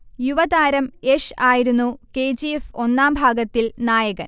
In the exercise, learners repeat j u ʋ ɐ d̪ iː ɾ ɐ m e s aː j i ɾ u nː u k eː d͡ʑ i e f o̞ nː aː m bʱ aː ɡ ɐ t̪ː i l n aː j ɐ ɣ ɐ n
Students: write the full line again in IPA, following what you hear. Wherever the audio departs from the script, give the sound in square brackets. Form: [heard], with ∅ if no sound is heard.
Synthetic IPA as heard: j u ʋ ɐ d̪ [aː] ɾ ɐ m e [ʂ] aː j i ɾ u nː u k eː d͡ʑ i e f o̞ nː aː m bʱ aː ɡ ɐ t̪ː i l n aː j ɐ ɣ ɐ n